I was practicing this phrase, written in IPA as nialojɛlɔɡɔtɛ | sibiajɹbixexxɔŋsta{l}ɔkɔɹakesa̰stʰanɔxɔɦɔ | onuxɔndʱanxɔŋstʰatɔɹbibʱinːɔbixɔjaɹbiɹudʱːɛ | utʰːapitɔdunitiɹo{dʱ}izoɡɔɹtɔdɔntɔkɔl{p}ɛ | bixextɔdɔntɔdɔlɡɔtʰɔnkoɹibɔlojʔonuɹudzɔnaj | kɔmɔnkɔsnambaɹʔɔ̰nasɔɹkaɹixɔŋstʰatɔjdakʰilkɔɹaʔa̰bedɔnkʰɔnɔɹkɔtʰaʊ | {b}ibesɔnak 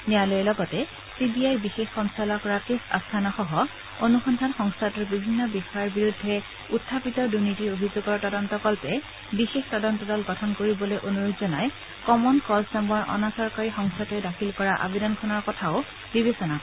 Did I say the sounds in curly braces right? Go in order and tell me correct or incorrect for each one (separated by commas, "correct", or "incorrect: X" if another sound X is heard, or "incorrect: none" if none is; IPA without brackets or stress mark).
correct, incorrect: bʱ, correct, correct